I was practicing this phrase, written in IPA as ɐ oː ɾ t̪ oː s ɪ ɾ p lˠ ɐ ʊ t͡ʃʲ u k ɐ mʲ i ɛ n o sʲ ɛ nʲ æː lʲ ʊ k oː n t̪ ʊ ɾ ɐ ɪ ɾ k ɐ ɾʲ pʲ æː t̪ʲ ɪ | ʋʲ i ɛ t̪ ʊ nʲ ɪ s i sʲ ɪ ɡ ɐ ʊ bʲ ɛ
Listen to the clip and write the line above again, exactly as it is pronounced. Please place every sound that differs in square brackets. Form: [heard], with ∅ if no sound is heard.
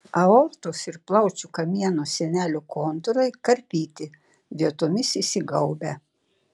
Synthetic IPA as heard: ɐ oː ɾ t̪ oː s ɪ ɾ p lˠ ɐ ʊ t͡ʃʲ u k ɐ mʲ i ɛ n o sʲ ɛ nʲ æː lʲ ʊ k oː n t̪ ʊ ɾ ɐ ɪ [∅] k ɐ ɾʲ pʲ [iː] t̪ʲ ɪ | ʋʲ i ɛ t̪ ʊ [mʲ] ɪ s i sʲ ɪ ɡ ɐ ʊ bʲ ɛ